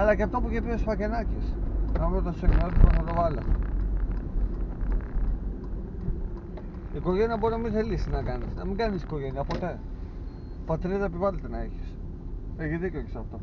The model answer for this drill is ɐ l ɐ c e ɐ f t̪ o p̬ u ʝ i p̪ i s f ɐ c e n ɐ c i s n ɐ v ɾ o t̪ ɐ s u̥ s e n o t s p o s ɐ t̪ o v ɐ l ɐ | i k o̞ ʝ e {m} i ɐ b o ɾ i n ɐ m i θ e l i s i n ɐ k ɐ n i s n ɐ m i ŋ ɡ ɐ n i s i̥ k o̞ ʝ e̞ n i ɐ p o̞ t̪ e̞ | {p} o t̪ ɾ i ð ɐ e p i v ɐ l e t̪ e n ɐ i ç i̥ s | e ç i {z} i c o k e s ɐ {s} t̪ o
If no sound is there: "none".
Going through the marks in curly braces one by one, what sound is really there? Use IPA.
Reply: n, p, ð, f

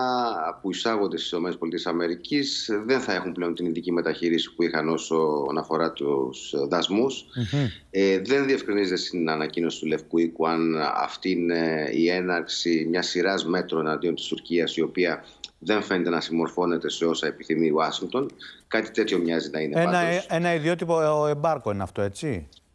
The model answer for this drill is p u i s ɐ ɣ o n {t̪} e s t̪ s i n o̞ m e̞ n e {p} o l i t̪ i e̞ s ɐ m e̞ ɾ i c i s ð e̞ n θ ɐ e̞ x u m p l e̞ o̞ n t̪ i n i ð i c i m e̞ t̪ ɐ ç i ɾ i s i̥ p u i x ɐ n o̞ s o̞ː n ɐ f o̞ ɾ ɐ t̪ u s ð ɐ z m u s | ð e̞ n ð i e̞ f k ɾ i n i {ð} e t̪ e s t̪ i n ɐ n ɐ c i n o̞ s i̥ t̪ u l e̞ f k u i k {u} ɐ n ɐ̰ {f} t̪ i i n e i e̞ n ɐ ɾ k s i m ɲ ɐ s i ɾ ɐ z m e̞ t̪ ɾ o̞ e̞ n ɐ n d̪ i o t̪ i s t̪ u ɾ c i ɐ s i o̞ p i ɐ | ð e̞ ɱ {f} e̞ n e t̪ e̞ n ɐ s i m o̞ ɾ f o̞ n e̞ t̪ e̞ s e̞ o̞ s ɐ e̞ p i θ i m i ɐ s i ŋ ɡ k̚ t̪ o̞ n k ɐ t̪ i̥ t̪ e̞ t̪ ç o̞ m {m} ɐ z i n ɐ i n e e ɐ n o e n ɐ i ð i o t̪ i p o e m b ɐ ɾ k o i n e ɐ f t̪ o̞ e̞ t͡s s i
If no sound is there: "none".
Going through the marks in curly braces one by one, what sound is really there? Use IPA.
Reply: d̪, p, z, u, f, f, ɲ

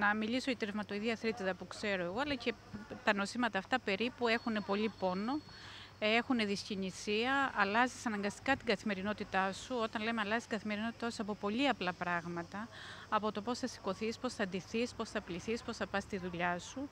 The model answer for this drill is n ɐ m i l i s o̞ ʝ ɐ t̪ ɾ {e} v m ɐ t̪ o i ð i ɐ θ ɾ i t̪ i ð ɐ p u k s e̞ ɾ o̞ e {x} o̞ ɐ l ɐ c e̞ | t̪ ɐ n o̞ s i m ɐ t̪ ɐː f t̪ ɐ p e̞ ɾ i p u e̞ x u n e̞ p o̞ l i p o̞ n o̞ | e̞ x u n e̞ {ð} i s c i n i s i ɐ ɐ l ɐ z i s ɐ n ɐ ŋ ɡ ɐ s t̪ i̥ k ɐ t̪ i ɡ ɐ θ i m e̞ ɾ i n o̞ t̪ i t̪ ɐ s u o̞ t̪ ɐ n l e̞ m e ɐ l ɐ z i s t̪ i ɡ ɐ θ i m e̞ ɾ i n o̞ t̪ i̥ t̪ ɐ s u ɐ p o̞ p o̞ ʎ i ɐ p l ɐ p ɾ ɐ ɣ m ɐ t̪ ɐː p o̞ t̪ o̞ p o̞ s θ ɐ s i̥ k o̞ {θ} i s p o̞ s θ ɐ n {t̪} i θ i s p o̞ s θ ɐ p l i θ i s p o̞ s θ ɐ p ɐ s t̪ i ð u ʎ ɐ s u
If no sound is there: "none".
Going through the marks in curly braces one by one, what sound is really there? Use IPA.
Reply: e, ɣ, ð, θ, d̪

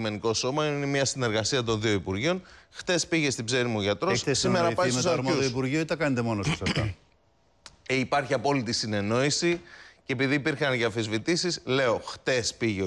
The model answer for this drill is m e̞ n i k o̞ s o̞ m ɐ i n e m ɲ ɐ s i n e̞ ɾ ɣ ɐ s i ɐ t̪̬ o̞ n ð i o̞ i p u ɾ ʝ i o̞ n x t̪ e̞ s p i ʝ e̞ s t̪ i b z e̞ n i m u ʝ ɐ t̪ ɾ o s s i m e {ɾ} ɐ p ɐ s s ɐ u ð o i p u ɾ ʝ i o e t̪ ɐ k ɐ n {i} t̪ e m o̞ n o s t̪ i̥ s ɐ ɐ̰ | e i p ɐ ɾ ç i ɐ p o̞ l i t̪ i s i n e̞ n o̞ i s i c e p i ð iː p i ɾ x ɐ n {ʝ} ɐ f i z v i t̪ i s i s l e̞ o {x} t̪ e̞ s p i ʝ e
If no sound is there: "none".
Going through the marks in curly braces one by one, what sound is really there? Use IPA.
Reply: ɾ, e, ʝ, x

